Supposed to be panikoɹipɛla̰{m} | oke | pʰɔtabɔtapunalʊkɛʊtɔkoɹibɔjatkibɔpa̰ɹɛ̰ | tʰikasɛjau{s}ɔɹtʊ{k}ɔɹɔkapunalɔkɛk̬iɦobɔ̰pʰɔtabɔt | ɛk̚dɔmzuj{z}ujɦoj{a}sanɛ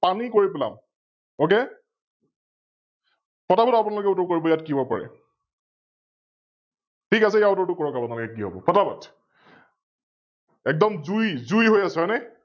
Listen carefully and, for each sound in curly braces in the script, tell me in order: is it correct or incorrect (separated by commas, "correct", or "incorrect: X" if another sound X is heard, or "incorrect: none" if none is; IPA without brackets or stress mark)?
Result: correct, incorrect: t, correct, correct, correct